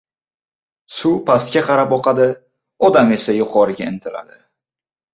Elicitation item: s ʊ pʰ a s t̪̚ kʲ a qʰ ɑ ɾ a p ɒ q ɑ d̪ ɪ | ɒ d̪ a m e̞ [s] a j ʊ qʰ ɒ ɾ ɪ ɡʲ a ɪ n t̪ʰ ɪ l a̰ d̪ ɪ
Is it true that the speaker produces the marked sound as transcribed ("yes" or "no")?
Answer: yes